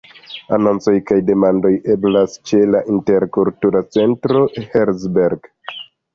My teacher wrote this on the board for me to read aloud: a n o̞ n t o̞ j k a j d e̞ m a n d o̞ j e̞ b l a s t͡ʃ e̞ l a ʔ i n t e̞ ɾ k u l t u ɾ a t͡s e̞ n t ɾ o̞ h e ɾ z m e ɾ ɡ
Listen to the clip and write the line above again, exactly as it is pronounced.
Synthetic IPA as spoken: a n o̞ n t͡s o̞ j k a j d e̞ m a n d o̞ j e̞ b l a s t͡ʃ e̞ l a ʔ i n t e̞ ɾ k u l t u ɾ a t͡s e̞ n t ɾ o̞ h e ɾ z b e ɾ ɡ